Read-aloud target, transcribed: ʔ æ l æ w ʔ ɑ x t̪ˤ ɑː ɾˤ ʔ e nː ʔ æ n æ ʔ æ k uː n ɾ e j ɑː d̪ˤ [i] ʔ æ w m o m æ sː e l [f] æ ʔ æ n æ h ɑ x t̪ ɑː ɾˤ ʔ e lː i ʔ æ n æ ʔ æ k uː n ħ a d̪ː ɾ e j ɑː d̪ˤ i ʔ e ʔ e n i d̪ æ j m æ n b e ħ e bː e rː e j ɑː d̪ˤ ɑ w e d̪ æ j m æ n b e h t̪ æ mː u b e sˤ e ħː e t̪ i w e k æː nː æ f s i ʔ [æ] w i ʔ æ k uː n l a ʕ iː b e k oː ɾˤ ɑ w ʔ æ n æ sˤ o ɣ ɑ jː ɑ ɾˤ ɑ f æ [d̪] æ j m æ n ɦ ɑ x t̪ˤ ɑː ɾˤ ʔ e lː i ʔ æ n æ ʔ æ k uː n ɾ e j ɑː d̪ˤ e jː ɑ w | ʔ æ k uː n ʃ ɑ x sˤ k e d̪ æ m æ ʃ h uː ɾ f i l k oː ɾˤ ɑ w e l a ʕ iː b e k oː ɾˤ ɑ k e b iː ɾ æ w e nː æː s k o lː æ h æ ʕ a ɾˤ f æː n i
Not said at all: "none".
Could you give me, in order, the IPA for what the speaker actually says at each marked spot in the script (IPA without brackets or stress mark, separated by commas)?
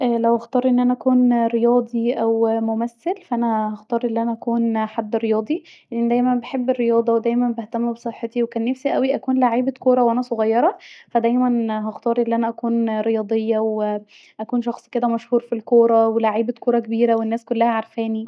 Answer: i, f, æ, d̪